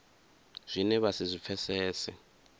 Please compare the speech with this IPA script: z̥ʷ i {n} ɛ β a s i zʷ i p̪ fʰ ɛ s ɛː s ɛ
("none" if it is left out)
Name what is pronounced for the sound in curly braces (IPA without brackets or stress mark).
n